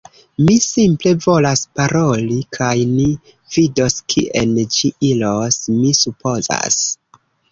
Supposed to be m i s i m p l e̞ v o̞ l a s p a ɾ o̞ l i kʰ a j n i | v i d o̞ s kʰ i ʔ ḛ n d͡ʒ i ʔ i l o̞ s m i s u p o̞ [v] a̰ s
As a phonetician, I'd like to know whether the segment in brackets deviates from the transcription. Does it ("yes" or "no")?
yes